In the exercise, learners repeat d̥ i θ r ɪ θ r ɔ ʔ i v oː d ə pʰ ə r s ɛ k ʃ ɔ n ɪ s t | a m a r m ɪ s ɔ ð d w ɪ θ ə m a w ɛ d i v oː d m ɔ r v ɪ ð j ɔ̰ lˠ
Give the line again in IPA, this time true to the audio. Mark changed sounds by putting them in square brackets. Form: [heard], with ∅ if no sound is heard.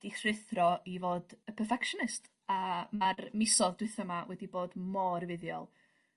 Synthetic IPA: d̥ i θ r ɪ θ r ɔ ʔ i v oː d ə pʰ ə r [f] ɛ k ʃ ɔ n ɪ s t | a m a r m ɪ s ɔ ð d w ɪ θ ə m a w ɛ d i [b] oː d m ɔ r v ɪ ð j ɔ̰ lˠ